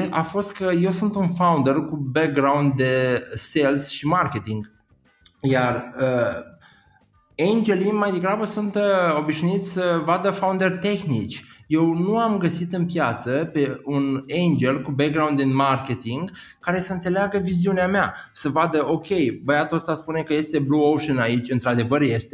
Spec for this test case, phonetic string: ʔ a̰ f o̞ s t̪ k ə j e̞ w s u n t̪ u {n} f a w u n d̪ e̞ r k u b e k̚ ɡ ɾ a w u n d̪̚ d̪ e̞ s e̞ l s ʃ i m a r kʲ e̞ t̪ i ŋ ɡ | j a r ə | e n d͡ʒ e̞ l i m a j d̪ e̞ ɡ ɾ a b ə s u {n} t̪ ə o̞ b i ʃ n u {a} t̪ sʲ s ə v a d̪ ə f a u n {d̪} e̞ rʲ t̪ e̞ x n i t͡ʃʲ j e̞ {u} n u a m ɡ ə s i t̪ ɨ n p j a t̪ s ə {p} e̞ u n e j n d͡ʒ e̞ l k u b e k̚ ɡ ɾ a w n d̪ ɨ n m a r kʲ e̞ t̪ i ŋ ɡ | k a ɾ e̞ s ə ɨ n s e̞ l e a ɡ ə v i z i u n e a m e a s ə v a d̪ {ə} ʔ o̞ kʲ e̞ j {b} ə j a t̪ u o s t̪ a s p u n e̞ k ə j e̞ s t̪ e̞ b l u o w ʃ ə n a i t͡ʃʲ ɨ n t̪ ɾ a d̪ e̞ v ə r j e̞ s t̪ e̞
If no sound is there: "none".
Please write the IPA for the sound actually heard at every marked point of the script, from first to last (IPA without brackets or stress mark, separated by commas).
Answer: n, n, i, d̪, w, p, ə, b